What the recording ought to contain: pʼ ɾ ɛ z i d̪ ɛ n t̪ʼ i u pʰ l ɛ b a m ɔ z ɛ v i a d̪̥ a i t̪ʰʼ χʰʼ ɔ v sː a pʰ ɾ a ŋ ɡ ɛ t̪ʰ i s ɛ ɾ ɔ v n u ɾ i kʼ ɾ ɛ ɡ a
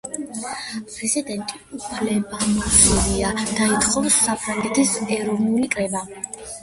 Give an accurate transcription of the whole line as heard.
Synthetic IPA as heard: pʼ ɾ ɛ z i d̪ ɛ n t̪ʼ i u pʰ l ɛ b a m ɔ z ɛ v i a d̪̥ a i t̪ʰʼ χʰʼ ɔ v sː a pʰ ɾ a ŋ ɡ ɛ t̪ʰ i s ɛ ɾ ɔ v n u l i kʼ ɾ ɛ b a